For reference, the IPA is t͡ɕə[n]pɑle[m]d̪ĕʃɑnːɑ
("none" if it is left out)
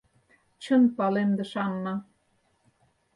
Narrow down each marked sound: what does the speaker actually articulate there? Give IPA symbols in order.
n, m

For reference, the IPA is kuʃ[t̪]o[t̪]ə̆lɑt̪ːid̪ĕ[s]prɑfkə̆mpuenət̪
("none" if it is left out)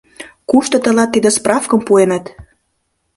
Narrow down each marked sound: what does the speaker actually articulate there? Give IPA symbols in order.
t̪, t̪, s

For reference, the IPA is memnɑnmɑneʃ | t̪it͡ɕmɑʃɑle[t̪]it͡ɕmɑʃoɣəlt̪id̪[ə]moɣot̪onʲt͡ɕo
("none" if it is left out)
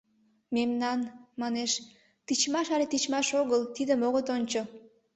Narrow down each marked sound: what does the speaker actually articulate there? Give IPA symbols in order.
t̪, ə

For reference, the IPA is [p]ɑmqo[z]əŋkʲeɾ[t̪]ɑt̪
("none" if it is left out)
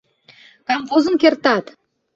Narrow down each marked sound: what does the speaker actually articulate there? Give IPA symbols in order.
k, z, t̪

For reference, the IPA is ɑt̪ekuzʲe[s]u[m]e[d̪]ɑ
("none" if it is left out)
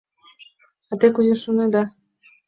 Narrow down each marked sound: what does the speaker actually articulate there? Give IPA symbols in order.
ʃ, n, d̪

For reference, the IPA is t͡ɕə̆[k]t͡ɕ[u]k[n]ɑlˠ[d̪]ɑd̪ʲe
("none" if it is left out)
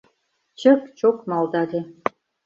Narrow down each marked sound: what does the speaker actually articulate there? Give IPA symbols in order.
k, o, m, d̪

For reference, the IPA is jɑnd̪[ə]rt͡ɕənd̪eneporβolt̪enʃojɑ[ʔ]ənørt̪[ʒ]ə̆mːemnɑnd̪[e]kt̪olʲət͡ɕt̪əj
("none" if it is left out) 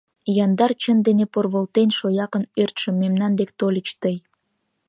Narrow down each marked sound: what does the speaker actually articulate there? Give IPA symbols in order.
ɑ, k, ʃ, e

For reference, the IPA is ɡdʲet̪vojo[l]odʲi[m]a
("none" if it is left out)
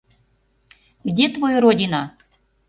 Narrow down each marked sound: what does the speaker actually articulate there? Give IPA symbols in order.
ɾ, n

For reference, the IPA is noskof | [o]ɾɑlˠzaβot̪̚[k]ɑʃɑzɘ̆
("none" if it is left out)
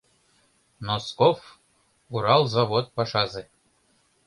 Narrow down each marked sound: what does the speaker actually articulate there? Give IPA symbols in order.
u, p

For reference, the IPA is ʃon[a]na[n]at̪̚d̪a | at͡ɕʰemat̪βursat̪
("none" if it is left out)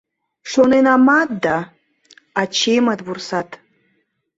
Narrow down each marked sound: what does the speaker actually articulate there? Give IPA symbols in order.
e, m

